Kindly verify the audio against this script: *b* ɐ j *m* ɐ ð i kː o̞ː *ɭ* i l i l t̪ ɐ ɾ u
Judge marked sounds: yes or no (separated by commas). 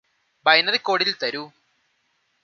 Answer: yes, no, no